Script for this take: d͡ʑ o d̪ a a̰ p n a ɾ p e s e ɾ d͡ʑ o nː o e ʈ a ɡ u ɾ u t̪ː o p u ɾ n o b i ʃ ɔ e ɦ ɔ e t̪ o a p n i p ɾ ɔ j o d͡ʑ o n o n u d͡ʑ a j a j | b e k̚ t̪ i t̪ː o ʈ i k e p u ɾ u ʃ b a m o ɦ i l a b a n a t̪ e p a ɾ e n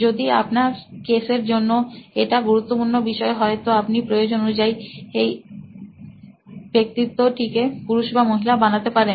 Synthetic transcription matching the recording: d͡ʑ o d̪ i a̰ p n a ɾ k e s e ɾ d͡ʑ o nː o e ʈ a ɡ u ɾ u t̪ː o p u ɾ n o b i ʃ ɔ e ɦ ɔ e t̪ o a p n i p ɾ o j o d͡ʑ o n o n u d͡ʑ a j e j | b e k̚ t̪ i t̪ː o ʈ i k e p u ɾ u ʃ b a m o ɦ i l a b a n a t̪ e p a ɾ e n